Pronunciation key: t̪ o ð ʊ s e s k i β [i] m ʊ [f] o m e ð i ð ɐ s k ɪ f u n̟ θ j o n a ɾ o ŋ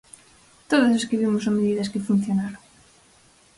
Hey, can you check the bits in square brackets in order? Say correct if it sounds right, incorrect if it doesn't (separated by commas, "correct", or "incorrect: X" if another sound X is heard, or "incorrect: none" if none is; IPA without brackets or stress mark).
correct, incorrect: s